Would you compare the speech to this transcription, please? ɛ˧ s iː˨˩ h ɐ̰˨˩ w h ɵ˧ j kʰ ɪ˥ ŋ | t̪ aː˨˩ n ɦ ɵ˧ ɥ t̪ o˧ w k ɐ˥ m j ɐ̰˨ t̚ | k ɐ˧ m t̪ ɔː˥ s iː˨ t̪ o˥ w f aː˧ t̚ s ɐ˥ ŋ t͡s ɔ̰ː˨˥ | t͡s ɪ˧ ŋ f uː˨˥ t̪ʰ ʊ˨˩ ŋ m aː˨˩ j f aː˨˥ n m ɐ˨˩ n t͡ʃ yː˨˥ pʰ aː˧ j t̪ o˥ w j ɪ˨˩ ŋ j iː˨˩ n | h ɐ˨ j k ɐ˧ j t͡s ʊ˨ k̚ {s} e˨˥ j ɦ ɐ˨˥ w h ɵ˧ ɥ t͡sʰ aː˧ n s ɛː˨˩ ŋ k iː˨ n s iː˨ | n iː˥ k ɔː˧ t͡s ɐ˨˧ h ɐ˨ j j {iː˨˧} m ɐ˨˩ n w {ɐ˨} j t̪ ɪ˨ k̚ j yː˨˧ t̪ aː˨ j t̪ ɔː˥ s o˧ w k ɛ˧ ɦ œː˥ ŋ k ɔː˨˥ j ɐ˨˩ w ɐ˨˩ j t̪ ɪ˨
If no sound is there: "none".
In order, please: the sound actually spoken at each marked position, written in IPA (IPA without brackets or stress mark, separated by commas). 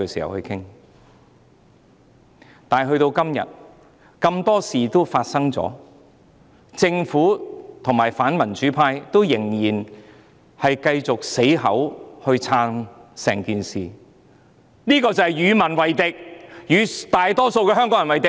s, yː˨˧, ɐ˨